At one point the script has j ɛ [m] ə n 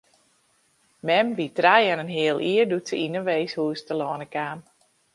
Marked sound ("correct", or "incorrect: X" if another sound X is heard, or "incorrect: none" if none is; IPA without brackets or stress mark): incorrect: n